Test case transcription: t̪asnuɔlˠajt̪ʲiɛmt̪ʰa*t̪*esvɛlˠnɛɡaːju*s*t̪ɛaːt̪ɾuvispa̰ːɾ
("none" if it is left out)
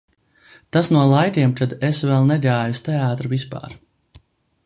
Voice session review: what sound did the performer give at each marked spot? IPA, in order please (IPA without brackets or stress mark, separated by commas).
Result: d̪, s